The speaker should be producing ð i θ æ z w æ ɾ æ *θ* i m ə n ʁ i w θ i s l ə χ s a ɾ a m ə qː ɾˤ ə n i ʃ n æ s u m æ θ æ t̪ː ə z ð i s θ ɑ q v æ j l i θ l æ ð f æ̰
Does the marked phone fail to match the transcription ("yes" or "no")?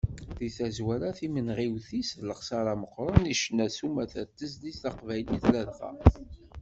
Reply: no